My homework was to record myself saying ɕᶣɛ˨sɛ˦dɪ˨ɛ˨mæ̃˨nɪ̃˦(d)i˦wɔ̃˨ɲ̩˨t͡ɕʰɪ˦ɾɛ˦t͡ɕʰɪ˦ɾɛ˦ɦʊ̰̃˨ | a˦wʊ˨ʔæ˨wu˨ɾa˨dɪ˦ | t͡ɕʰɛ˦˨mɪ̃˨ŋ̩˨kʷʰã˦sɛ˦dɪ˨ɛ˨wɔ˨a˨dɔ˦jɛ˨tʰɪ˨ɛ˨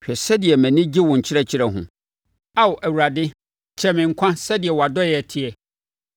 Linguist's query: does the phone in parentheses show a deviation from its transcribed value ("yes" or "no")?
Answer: yes